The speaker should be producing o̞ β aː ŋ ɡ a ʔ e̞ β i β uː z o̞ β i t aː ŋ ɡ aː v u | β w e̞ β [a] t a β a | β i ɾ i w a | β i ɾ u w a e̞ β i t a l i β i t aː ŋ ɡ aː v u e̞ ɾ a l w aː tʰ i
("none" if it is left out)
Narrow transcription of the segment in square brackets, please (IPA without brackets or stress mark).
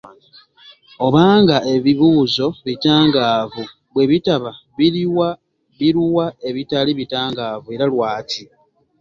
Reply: i